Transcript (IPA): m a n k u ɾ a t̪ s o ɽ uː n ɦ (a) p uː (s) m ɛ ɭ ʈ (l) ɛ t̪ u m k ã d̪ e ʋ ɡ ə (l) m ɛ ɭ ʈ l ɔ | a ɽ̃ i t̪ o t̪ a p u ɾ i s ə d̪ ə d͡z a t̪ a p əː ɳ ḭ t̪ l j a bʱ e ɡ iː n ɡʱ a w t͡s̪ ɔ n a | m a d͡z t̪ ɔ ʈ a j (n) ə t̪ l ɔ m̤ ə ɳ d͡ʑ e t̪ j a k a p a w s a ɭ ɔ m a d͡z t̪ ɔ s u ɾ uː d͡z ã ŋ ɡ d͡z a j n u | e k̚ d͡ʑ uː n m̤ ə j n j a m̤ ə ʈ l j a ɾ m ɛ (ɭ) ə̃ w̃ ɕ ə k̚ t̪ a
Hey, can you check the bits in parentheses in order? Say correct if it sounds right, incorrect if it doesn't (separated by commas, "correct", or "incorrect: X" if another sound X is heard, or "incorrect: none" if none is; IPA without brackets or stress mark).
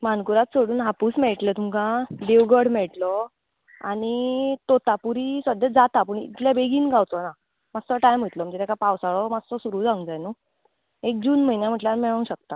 correct, correct, correct, incorrect: ɽ, incorrect: m, correct